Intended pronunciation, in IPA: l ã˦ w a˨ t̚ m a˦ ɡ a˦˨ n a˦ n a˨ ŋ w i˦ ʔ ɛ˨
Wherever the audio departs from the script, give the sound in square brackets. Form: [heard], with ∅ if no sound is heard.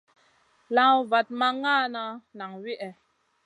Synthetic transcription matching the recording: l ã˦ [v] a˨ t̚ m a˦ [ŋ] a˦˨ n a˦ n a˨ ŋ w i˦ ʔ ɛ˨